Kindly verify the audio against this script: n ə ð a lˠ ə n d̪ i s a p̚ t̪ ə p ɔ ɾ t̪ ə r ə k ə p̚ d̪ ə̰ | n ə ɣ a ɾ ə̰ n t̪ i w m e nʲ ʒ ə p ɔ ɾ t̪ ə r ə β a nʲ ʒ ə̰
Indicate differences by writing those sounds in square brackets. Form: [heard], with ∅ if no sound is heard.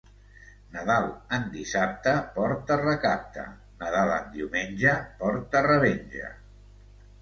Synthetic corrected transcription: n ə ð a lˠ ə n d̪ i s a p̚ t̪ ə p ɔ ɾ t̪ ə r ə k [a] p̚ [t̪] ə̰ | n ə [ð] a [l] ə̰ n [d̪] i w m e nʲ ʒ ə p ɔ ɾ t̪ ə r ə β [e] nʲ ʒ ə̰